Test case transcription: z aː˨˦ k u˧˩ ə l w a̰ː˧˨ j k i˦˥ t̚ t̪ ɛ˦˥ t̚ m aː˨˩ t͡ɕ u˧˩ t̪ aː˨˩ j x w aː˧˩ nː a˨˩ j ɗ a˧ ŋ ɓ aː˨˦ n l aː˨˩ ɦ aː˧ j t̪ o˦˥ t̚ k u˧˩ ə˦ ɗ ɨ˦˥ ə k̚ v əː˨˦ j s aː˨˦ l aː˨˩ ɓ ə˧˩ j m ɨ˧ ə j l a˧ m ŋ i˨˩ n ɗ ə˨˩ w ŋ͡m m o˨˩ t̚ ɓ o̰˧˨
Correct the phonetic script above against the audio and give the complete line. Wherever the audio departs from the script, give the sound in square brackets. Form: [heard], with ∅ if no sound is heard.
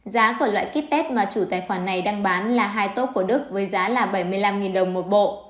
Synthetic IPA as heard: z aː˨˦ k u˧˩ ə l w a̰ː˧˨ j k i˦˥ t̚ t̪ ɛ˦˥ t̚ m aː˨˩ t͡ɕ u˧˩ t̪ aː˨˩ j x w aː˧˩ nː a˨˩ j ɗ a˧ ŋ ɓ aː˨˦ n l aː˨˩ ɦ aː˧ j t̪ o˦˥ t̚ k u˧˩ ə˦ ɗ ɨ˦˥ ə k̚ v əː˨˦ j [z] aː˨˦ l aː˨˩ ɓ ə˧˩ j m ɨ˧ ə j l a˧ m ŋ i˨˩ n ɗ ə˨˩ w ŋ͡m m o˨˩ t̚ ɓ o̰˧˨

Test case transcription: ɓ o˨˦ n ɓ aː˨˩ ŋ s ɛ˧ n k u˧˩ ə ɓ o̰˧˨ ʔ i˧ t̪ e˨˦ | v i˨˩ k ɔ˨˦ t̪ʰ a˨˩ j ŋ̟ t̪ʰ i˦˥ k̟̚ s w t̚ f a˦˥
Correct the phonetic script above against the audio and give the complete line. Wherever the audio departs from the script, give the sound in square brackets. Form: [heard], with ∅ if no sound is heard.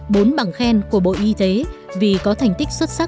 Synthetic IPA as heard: ɓ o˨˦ n ɓ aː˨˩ ŋ [x] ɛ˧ n k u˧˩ ə ɓ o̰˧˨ ʔ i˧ t̪ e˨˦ | v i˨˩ k ɔ˨˦ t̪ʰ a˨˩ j ŋ̟ [t̪] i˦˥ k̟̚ s w t̚ [s] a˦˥

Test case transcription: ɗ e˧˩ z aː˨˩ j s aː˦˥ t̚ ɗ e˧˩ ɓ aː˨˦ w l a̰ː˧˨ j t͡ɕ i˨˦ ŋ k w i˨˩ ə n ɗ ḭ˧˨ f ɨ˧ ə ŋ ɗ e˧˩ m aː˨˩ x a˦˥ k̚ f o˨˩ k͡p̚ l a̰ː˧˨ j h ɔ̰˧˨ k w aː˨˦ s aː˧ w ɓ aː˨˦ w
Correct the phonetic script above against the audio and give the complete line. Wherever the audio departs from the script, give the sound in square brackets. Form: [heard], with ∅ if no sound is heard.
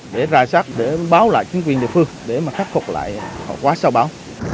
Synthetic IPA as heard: ɗ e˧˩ z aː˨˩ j s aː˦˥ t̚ ɗ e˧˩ ɓ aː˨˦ w l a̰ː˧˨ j t͡ɕ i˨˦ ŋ k w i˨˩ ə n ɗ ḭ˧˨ f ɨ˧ ə ŋ ɗ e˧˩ m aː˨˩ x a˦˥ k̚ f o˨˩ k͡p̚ l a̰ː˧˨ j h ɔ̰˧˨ k w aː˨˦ s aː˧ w ɓ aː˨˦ w

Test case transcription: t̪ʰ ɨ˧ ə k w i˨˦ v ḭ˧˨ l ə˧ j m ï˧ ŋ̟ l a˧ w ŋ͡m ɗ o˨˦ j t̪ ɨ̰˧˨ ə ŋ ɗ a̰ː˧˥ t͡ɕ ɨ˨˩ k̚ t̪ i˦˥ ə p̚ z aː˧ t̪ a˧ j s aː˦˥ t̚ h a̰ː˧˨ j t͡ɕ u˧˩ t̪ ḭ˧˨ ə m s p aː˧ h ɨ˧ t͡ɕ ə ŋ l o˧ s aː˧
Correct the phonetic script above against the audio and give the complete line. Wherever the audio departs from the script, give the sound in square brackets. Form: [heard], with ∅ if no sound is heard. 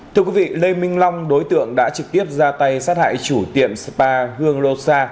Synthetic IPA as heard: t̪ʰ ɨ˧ ə k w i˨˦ v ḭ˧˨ l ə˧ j m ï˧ ŋ̟ l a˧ w ŋ͡m ɗ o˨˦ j t̪ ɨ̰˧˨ ə ŋ ɗ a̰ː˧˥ t͡ɕ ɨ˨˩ k̚ t̪ i˦˥ ə p̚ z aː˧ t̪ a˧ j s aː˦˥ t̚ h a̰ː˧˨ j t͡ɕ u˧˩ t̪ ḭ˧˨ ə m s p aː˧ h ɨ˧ [∅] ə ŋ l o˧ s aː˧

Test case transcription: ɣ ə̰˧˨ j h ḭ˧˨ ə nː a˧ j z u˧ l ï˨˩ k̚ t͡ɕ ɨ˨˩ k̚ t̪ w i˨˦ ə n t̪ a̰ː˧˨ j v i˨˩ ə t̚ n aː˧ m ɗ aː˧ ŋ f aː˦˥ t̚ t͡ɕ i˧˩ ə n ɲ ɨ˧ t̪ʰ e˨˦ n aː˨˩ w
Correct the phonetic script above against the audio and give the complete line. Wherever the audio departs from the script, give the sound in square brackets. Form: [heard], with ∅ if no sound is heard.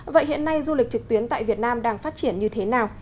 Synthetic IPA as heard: [v] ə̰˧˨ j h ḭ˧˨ ə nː a˧ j z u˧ l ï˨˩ k̚ t͡ɕ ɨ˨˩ k̚ t̪ w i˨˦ ə n t̪ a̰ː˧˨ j v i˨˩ ə t̚ n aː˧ m ɗ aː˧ ŋ f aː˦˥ t̚ t͡ɕ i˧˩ ə n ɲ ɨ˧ t̪ʰ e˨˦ n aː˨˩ w

